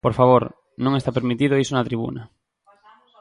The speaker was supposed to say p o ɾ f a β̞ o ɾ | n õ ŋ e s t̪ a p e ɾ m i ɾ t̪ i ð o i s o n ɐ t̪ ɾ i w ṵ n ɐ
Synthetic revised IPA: p o ɾ f a β̞ o ɾ | n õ ŋ e s t̪ a p e ɾ m i t̪ i ð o i s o n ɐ t̪ ɾ i β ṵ n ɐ